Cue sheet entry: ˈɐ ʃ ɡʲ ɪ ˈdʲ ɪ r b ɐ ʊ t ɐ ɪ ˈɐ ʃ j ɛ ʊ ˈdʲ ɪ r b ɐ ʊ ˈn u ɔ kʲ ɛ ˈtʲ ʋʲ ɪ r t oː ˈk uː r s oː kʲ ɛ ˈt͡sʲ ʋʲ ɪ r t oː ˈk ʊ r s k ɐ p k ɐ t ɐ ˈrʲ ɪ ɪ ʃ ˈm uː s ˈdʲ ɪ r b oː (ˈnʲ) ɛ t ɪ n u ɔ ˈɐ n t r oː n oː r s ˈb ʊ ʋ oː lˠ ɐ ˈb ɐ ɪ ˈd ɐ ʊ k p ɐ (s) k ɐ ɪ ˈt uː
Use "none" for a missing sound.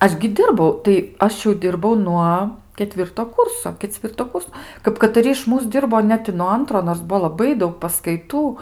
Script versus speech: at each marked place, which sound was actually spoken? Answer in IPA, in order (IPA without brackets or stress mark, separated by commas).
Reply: nʲ, s